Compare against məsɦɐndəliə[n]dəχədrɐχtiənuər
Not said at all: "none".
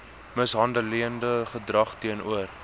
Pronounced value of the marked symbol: n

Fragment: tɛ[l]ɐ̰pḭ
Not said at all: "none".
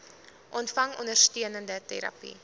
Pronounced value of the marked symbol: ɾ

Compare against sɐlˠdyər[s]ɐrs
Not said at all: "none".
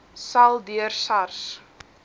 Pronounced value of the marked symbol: s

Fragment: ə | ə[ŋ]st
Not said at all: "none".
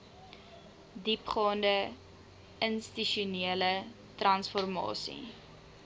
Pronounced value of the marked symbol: n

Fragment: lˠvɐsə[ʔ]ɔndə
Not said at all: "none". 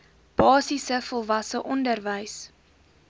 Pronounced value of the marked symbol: ʔ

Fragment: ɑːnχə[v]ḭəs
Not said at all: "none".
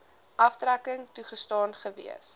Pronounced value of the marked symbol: v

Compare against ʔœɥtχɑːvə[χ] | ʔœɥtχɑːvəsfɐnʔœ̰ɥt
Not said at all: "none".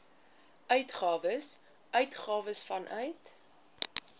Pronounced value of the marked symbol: s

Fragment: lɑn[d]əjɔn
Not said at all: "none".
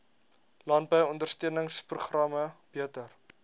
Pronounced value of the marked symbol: b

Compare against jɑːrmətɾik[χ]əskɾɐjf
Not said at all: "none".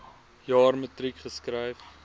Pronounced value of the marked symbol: χ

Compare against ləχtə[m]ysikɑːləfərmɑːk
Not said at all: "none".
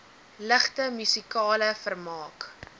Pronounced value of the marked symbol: m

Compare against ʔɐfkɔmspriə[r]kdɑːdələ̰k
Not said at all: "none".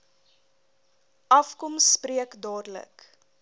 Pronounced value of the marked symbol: none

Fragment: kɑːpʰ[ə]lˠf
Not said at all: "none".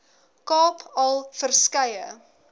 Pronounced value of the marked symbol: ɐ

